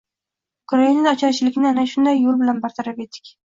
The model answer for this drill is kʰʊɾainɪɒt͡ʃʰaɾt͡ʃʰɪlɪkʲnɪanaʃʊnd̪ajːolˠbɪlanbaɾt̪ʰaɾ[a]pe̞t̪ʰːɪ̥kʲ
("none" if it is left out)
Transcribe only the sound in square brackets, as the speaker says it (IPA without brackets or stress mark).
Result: a